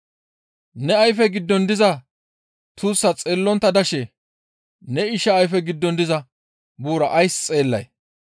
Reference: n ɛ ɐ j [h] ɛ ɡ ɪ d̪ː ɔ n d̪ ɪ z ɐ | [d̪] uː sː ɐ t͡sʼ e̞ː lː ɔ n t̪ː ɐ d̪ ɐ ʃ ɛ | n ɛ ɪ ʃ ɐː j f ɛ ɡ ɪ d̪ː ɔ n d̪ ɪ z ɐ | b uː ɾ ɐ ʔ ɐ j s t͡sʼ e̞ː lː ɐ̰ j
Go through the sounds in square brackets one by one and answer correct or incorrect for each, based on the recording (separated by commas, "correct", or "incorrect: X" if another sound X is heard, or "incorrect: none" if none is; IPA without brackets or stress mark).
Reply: incorrect: f, incorrect: t̪